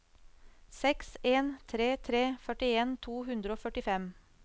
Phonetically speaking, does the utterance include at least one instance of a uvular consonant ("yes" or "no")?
no